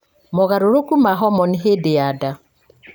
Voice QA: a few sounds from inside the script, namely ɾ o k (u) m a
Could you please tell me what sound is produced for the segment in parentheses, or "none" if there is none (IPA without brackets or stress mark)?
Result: u